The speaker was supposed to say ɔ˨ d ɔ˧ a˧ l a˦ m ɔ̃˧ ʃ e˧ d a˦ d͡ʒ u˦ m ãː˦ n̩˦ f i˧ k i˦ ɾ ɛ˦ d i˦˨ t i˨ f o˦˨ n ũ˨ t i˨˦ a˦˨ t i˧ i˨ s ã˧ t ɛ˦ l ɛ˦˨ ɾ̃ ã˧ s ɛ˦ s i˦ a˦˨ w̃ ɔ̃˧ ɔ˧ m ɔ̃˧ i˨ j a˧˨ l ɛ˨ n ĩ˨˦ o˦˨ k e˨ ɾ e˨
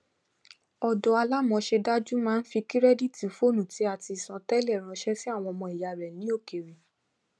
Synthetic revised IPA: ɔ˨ d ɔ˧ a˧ l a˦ m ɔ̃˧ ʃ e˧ d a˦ d͡ʒ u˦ m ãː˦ n̩˦ f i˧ k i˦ ɾ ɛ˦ d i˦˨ t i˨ f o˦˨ n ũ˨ t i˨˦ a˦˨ t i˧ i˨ s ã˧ t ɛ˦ l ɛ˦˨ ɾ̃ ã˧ ʃ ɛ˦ s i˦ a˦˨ w̃ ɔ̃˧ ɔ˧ m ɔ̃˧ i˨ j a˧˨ ɾ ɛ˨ n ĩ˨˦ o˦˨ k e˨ ɾ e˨